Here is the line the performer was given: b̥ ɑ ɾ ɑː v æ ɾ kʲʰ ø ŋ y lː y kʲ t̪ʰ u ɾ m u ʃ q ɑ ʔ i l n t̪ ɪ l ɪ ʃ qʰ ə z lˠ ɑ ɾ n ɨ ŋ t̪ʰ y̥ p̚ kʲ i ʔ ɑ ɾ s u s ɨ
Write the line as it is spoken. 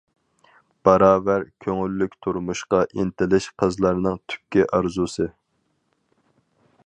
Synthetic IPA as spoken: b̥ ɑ ɾ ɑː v æ ɾ kʲʰ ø ŋ y lː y kʲ t̪ʰ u ɾ m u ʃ q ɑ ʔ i n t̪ ɪ l ɪ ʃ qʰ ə z lˠ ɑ ɾ n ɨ ŋ t̪ʰ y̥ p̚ kʲ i ʔ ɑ ɾ z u s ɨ

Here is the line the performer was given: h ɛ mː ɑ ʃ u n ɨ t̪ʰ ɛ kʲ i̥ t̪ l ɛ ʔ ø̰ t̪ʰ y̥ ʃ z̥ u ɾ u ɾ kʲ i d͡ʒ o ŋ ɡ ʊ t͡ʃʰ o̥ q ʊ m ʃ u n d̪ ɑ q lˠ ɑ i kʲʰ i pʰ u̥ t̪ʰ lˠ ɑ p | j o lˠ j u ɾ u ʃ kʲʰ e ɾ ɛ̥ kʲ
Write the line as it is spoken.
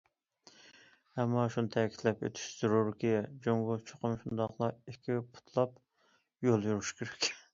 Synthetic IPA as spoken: h ɛ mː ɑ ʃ u n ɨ t̪ʰ ɛ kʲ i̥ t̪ l ɛ p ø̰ t̪ʰ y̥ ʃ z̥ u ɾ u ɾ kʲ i d͡ʒ o ŋ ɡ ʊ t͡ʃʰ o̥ q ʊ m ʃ u n d̪ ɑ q lˠ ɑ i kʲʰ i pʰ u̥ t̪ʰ lˠ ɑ p | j o lˠ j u ɾ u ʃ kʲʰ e ɾ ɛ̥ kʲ

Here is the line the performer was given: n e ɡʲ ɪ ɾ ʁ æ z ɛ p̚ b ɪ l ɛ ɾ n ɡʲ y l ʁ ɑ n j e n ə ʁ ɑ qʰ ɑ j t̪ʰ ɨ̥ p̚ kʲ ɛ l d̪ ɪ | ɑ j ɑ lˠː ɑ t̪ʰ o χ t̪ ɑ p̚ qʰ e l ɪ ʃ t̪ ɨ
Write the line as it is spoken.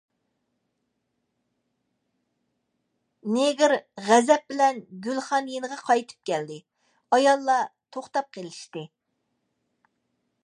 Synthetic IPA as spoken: n e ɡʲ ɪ ɾ ʁ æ z ɛ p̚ b ɪ l ɛ n ɡʲ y l χ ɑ n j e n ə ʁ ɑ qʰ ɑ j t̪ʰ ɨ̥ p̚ kʲ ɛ l d̪ ɪ | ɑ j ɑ lˠː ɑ t̪ʰ o χ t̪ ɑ p̚ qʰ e l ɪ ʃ t̪ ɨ

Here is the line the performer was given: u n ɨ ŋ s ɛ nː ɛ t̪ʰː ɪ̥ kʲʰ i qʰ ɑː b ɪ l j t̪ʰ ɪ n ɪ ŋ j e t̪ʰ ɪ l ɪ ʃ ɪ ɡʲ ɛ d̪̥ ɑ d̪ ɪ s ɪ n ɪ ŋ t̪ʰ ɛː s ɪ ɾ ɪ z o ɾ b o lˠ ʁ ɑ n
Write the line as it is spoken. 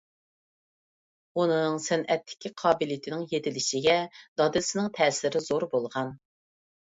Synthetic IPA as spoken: u n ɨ ŋ s ɛ n ɛ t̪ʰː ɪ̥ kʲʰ i qʰ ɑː b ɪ l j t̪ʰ ɪ n ɪ ŋ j e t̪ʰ ɪ l ɪ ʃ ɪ ɡʲ ɛ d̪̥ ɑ d̪ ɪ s ɪ n ɪ ŋ t̪ʰ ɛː s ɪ ɾ ɪ z o ɾ b o lˠ ʁ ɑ n

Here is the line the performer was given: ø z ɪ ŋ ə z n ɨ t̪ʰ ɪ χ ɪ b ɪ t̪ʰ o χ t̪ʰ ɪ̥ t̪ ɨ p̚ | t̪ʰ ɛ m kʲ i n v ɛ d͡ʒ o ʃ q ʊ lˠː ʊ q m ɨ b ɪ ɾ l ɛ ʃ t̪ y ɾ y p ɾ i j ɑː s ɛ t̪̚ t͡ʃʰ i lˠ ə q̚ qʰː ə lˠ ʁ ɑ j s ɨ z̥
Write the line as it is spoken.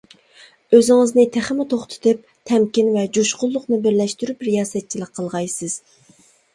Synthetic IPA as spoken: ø z ɪ ŋ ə z n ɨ t̪ʰ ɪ χ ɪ m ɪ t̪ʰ o χ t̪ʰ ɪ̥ t̪ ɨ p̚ | t̪ʰ ɛ m kʲ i n v ɛ d͡ʒ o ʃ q ʊ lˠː ʊ q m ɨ b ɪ ɾ l ɛ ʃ t̪ y ɾ y p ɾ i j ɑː s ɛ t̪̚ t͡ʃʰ i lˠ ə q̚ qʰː ə lˠ ʁ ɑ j s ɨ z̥

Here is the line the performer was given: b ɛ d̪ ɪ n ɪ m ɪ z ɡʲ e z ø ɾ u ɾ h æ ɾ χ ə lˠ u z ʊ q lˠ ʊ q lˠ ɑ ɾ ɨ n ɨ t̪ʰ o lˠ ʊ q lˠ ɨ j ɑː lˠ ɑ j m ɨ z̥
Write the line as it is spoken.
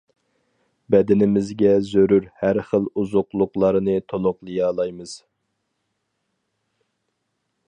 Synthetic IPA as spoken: b ɛ d̪ ɪ n ɪ m ɪ z ɡʲ ɛ z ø ɾ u ɾ h æ ɾ χ ə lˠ u z ʊ q lˠ ʊ q lˠ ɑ ɾ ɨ n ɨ t̪ʰ o lˠ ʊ q lˠ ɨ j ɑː lˠ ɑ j m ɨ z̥

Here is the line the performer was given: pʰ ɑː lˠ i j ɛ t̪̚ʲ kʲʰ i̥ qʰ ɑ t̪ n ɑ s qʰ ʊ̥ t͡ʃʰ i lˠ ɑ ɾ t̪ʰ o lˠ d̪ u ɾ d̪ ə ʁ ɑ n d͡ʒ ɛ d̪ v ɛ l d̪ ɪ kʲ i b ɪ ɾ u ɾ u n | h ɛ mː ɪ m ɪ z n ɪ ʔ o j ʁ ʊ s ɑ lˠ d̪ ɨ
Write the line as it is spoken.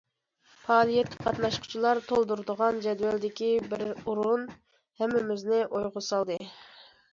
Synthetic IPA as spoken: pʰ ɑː lˠ i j ɛ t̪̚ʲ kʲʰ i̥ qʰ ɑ t̪ n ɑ ʃ qʰ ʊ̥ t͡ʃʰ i lˠ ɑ ɾ t̪ʰ o lˠ d̪ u ɾ d̪ ə ʁ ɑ n d͡ʒ ɛ d̪ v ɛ l d̪ ɪ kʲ i b ɪ ɾ u ɾ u n | h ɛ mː ɪ m ɪ z n ɪ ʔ o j ʁ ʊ s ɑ lˠ d̪ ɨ

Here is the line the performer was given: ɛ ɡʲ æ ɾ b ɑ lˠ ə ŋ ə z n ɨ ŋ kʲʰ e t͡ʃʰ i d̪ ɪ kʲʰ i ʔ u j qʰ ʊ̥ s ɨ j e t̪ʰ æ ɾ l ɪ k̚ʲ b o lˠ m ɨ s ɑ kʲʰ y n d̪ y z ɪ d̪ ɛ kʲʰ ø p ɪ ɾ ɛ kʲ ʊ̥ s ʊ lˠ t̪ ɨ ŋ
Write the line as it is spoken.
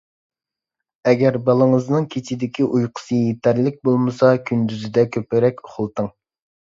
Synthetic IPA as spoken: ɛ ɡʲ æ ɾ b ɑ lˠ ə ŋ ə z n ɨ ŋ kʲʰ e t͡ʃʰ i d̪ ɪ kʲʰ i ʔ u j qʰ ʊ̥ s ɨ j e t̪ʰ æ ɾ l ɪ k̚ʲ b o lˠ m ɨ s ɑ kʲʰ y n d̪ y z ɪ d̪ ɛ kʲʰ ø p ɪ ɾ ɛ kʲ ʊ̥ χ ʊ lˠ t̪ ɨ ŋ

